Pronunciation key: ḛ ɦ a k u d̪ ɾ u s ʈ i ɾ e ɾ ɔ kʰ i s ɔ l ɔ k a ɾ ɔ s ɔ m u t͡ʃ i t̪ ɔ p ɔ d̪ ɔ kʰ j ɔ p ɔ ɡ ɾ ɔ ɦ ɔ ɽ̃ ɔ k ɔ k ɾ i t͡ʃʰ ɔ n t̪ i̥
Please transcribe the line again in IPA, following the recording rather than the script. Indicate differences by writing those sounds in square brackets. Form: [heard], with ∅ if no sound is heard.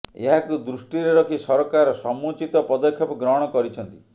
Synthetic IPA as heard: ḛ ɦ a k u d̪ ɾ u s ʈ i ɾ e ɾ ɔ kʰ i s ɔ [ɾ] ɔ k a ɾ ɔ s ɔ m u t͡ʃ i t̪ ɔ p ɔ d̪ ɔ kʰ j ɔ p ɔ ɡ ɾ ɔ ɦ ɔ ɽ̃ ɔ k ɔ [∅] ɾ i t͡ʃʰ ɔ n t̪ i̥